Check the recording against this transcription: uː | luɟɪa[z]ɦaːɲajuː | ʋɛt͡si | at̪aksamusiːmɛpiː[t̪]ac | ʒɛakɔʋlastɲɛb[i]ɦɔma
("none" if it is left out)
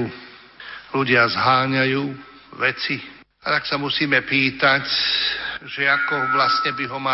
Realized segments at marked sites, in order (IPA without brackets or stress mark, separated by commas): z, t̪, i